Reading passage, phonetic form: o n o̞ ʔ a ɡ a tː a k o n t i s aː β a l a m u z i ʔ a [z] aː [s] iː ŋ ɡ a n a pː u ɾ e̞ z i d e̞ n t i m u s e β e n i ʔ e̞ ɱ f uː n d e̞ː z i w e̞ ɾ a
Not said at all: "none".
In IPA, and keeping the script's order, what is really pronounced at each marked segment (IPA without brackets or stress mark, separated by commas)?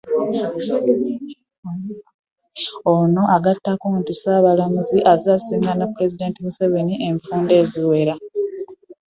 z, s